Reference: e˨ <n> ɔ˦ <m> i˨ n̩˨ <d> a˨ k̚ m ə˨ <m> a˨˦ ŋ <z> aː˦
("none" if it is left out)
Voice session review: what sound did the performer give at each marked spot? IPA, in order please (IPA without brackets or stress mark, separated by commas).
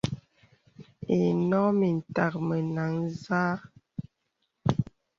n, m, t, n, z